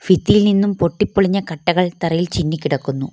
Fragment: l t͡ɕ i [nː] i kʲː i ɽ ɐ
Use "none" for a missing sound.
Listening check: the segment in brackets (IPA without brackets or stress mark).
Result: nː